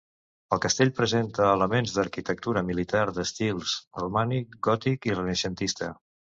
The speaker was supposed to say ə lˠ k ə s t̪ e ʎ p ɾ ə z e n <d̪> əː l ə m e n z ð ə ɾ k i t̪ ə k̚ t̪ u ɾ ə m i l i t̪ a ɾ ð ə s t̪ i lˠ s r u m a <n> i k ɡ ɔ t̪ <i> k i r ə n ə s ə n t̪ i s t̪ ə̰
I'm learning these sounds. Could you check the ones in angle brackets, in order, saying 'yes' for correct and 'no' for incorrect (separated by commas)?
no, yes, yes